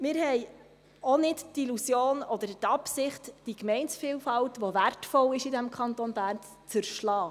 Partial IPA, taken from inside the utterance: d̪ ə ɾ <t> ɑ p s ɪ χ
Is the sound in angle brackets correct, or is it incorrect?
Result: correct